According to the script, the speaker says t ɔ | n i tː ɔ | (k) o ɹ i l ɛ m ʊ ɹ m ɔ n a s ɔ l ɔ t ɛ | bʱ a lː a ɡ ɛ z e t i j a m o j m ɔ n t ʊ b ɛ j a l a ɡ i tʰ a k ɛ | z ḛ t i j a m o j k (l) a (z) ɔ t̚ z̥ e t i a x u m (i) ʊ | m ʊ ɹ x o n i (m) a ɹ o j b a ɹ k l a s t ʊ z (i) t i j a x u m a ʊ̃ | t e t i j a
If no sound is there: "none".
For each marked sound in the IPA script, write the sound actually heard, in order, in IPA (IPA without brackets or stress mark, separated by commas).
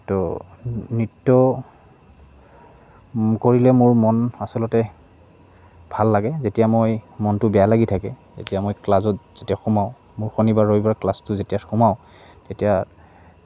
k, l, z, a, b, e